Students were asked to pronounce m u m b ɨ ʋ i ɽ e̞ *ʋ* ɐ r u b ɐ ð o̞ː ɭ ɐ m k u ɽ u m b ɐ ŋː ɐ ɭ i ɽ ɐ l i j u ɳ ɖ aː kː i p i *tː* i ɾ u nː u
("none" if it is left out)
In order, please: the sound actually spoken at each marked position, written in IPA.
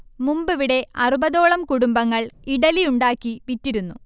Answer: none, tː

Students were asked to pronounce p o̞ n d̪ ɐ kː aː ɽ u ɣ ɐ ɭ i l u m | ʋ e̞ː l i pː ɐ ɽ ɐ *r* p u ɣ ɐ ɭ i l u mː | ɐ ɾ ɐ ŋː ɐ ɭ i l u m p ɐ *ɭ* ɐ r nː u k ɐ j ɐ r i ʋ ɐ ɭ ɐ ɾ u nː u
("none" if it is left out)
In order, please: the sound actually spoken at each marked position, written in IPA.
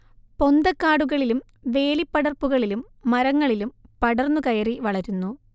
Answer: r, ɽ

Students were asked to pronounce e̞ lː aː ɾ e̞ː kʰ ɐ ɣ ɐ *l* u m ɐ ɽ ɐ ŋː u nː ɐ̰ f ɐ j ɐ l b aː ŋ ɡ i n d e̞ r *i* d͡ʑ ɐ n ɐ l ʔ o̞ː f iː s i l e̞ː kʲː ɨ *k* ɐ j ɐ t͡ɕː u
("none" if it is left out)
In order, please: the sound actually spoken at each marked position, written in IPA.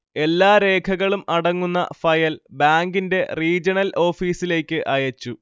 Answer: ɭ, iː, ʔ

